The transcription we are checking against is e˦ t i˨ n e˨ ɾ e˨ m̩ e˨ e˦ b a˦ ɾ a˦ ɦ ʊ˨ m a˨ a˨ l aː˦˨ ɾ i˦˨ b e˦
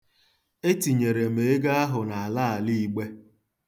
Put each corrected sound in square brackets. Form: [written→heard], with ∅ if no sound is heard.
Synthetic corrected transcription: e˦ t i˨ [n→ɲ] e˨ ɾ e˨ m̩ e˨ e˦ [b→ɡ] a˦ [ɾ→∅] a˦ ɦ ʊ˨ [m→n] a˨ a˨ l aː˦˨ [ɾ→l] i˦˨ [b→ɡ͡b] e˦